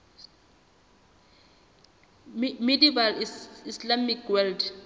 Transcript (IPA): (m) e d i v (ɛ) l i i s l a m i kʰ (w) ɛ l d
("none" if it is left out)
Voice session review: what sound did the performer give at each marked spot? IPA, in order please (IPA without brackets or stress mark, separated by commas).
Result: m, a, w